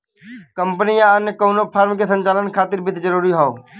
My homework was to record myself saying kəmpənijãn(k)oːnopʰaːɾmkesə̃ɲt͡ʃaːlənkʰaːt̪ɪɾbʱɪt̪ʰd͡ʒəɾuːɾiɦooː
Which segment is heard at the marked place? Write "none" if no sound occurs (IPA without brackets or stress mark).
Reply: k